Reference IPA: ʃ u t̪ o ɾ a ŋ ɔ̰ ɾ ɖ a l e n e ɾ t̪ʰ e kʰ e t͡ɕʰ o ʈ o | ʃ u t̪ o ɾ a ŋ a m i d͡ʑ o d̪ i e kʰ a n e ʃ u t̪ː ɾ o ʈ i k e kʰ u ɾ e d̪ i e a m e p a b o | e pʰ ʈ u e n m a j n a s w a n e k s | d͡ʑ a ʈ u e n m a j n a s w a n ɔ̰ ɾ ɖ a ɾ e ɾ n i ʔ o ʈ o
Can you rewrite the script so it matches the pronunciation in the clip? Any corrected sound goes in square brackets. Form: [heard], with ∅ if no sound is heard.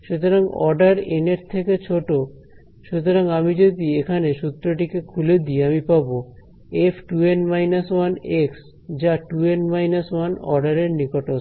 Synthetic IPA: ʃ u t̪ o ɾ a ŋ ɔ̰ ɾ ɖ a [ɾ] e n e ɾ t̪ʰ e [k] e t͡ɕʰ o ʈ o | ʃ u t̪ o ɾ a ŋ a m i d͡ʑ o d̪ i e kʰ a n e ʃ u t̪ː ɾ o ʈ i k e kʰ u [l] e d̪ i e a m [i] p a b o | e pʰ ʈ u e n m a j n a s w a n e k s | d͡ʑ a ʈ u e n m a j n a s w a n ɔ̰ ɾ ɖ a ɾ e ɾ n i [k] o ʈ o